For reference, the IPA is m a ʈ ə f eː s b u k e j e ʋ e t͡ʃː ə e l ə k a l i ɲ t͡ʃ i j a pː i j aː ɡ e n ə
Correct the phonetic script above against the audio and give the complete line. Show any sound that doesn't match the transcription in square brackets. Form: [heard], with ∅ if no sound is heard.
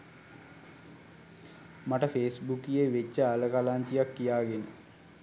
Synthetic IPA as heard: m a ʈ ə f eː s b u k [i] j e ʋ e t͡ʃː ə [a] l ə k a l [a] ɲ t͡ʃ i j a [kː] i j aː ɡ e n ə